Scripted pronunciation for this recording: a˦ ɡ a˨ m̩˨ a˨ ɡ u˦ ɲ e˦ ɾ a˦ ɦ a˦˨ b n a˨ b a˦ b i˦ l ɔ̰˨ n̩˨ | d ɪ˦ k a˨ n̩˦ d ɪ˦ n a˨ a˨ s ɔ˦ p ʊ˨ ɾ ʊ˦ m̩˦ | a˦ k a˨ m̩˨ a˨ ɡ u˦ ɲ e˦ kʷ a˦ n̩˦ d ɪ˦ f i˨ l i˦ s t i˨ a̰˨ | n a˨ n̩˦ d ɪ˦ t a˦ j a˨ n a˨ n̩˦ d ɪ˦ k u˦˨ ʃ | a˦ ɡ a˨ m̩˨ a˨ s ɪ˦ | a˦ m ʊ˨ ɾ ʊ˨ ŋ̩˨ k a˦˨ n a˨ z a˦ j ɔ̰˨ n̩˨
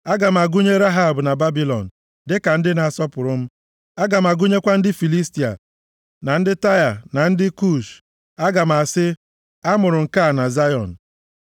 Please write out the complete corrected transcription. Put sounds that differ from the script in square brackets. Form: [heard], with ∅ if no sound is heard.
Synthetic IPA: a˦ ɡ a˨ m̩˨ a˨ ɡ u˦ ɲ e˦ ɾ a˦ ɦ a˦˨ b n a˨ b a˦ b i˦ l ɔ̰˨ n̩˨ | d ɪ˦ k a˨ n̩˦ d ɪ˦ n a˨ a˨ s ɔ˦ p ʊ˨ ɾ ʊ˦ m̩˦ | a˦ [ɡ] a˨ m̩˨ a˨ ɡ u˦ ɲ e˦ kʷ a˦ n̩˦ d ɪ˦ f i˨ l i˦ s t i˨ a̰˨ | n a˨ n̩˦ d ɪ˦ t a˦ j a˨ n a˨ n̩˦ d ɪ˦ k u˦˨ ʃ | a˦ ɡ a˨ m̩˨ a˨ s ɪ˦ | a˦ m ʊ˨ ɾ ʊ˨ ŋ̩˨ k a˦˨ n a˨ z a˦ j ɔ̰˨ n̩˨